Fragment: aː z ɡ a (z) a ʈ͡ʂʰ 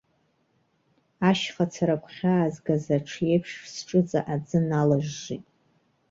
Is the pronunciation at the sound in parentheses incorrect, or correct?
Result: correct